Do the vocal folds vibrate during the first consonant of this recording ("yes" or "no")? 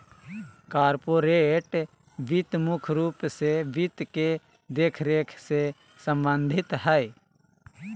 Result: no